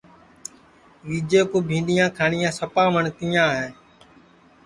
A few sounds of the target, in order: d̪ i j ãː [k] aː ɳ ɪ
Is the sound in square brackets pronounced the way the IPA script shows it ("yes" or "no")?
no